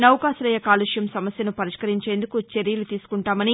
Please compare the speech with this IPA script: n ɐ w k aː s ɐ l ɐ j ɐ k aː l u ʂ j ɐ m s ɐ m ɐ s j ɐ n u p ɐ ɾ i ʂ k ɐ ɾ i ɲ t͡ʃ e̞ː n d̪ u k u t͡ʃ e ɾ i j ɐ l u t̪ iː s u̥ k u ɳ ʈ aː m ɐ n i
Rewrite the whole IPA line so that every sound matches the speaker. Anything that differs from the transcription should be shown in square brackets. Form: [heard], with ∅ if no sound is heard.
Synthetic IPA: n ɐ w k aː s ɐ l ɐ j ɐ k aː l u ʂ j ɐ m s ɐ m ɐ s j ɐ n u p ɐ ɾ i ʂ k ɐ ɾ i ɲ t͡ʃ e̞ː n d̪ u k u t͡ʃ e ɾ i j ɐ l u t̪ iː s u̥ k u ɳ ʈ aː m ɐ n i